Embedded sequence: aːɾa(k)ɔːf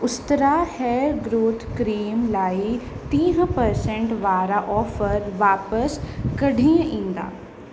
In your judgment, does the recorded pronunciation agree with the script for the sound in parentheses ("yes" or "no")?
no